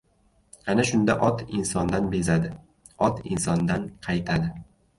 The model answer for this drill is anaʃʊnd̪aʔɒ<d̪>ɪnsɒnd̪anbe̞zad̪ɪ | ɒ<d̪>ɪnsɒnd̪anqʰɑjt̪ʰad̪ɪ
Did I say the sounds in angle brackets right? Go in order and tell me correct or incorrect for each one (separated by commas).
incorrect, incorrect